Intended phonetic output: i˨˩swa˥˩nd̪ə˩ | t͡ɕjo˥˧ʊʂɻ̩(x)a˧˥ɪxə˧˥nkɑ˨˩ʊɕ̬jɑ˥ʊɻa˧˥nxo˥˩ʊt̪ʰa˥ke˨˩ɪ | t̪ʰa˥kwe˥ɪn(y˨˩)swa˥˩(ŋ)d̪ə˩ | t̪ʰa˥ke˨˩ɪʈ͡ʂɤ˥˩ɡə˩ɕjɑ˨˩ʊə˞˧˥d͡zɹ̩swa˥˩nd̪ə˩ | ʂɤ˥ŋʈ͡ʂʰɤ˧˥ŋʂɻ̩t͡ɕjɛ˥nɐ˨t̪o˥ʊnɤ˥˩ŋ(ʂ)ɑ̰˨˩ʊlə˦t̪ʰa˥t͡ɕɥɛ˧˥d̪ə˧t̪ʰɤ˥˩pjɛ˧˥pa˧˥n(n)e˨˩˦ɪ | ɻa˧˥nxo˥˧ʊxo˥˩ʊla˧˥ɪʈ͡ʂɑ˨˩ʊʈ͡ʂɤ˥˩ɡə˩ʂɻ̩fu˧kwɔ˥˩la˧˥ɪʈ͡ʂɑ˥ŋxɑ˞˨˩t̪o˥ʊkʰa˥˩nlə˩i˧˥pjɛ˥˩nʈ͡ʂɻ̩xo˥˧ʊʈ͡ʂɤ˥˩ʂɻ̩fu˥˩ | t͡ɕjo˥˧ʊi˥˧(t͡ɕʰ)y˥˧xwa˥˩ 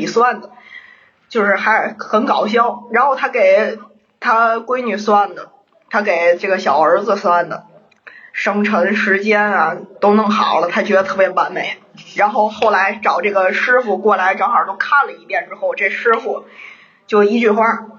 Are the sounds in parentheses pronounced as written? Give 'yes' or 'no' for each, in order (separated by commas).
yes, yes, no, no, no, no